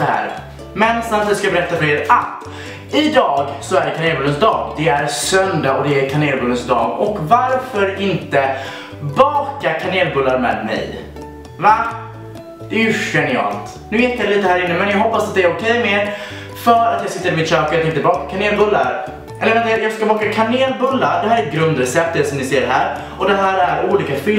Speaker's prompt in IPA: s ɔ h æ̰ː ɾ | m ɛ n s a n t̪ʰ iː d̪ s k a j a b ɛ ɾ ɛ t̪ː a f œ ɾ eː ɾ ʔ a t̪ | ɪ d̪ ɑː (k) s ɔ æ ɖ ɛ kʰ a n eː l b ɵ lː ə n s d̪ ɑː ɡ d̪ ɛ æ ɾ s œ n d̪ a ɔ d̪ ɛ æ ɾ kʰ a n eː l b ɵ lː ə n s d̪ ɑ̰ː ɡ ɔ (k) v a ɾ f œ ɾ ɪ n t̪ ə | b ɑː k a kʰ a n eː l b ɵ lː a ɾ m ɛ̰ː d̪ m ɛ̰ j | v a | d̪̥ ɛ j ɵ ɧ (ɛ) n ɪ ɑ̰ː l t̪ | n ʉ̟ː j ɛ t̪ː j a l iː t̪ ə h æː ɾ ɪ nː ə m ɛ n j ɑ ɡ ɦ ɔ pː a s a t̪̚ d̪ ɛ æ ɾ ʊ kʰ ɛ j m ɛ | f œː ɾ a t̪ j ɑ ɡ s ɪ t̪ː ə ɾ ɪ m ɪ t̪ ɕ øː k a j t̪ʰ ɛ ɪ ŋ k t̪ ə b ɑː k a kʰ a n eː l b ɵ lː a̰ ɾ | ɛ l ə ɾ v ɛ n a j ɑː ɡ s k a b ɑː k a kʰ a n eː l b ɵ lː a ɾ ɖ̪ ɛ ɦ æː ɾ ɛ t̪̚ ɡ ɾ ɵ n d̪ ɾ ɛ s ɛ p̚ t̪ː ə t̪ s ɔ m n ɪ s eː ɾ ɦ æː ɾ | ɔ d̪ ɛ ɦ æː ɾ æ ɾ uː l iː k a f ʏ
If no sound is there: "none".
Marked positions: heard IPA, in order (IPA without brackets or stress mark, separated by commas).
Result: ɡ, k, ɛ